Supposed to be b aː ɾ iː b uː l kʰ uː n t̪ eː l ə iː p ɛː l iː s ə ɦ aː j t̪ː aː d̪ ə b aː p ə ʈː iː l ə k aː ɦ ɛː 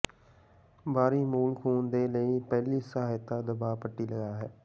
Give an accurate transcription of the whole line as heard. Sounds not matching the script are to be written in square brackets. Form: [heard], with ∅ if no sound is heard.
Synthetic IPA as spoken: b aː ɾ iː [m] uː l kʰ uː n [d̪] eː l ə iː p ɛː l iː s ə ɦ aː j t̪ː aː d̪ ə b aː p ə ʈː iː l ə [ɡ] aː ɦ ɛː